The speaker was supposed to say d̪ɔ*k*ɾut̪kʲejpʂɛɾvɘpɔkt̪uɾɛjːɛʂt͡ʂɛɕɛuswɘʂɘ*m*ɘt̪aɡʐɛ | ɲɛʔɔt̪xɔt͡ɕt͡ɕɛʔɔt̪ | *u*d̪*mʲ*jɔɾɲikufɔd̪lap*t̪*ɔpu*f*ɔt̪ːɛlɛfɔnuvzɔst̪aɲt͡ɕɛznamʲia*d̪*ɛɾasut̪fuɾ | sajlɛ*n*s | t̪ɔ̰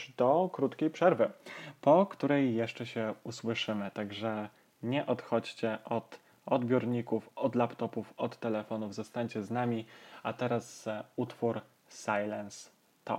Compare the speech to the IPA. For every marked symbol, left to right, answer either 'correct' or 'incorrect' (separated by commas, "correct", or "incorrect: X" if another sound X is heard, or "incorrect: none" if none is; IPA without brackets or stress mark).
correct, correct, incorrect: ɔ, incorrect: bʲ, correct, correct, incorrect: t̪, correct